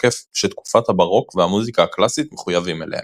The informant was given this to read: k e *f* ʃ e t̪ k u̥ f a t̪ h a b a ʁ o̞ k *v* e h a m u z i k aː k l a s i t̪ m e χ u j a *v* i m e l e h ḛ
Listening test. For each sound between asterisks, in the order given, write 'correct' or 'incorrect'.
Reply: correct, correct, correct

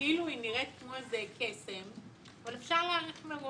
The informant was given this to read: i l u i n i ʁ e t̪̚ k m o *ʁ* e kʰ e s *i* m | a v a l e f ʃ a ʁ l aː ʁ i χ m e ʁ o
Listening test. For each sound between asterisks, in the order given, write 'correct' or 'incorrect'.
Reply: incorrect: z, incorrect: e

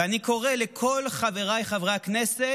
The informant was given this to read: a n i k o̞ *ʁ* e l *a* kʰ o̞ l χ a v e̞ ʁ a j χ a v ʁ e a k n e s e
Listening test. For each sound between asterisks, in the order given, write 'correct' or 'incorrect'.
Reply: correct, incorrect: e

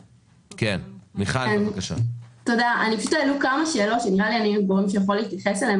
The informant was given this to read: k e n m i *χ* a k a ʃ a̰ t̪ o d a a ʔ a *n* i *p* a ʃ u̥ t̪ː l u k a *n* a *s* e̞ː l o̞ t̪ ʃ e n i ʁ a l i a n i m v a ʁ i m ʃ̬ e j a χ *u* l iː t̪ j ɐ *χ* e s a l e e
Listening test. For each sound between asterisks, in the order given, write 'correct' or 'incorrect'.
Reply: correct, correct, correct, incorrect: m, incorrect: ʃ, incorrect: o, correct

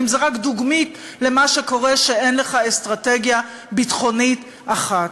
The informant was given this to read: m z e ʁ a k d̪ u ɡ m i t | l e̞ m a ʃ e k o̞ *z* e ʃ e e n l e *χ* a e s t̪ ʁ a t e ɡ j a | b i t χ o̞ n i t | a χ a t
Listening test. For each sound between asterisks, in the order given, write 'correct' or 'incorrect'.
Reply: incorrect: ʁ, correct

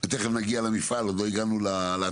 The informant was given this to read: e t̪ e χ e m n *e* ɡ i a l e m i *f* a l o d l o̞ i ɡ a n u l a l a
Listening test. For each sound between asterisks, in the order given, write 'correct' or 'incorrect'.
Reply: incorrect: a, correct

